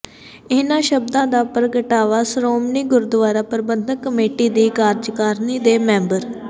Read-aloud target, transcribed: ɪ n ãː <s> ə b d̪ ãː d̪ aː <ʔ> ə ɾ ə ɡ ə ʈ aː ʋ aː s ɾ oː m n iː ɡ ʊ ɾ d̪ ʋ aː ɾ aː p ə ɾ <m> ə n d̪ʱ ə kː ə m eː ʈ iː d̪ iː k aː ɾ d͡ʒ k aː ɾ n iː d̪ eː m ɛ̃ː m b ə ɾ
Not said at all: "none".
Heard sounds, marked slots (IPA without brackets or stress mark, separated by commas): ʃ, p, b